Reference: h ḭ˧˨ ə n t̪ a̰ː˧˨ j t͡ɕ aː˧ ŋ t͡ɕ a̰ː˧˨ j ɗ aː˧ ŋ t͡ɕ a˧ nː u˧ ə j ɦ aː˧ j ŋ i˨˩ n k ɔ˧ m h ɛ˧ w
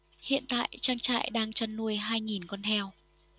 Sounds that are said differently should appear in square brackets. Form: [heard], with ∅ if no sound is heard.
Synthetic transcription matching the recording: h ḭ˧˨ ə n t̪ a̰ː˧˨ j t͡ɕ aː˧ ŋ t͡ɕ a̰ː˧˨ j ɗ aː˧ ŋ t͡ɕ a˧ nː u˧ ə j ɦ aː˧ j ŋ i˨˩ n k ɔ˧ [n] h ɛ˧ w

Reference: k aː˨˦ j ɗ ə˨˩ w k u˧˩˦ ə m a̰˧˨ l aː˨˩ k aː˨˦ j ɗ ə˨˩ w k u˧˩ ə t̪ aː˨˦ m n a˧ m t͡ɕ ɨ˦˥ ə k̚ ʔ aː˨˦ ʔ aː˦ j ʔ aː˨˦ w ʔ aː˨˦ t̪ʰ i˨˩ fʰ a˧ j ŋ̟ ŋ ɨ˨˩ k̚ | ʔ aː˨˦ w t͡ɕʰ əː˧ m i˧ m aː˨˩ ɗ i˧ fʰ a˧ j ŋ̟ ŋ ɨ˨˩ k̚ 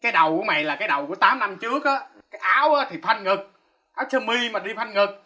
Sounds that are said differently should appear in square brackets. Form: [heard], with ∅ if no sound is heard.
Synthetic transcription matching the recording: k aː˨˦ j ɗ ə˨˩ w k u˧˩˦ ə m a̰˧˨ l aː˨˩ k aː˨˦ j ɗ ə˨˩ w k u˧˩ ə t̪ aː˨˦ m n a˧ m t͡ɕ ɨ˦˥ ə k̚ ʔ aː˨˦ [k] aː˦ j ʔ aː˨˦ w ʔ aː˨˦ t̪ʰ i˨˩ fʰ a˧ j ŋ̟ ŋ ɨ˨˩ k̚ | ʔ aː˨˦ w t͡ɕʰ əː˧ m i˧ m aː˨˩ ɗ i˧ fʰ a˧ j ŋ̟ ŋ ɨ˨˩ k̚

